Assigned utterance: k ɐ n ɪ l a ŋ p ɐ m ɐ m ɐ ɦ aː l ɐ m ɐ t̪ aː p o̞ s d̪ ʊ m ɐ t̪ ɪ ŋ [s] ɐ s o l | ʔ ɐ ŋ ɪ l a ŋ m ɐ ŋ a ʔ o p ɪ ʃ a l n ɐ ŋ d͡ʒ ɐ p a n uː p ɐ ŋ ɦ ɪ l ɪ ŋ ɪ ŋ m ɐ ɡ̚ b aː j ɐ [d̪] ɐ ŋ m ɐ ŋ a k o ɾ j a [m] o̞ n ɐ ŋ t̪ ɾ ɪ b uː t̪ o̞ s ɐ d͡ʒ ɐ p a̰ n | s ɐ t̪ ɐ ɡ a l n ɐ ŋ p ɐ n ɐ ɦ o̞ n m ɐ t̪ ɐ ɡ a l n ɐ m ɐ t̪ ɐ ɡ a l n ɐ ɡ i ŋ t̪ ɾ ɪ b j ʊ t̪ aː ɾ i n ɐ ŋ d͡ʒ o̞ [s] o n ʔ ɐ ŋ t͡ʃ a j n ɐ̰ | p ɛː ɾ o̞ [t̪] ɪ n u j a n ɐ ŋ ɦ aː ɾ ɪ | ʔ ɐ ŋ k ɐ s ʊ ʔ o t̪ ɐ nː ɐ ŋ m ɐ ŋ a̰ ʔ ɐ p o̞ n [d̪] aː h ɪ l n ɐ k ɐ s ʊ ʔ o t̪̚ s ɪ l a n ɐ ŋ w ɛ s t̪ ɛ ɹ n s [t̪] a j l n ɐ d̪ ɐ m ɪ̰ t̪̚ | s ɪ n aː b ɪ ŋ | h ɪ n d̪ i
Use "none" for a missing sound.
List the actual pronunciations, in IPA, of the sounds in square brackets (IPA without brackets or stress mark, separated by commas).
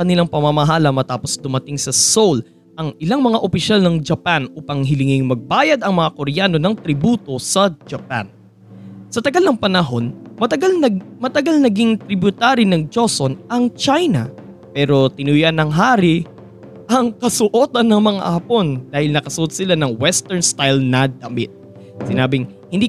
s, d̪, n, s, t̪, d̪, t̪